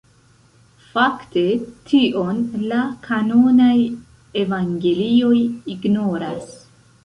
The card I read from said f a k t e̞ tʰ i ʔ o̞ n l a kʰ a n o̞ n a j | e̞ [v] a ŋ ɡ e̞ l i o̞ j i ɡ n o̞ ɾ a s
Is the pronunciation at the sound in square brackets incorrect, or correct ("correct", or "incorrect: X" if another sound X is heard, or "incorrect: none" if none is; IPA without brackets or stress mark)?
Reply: correct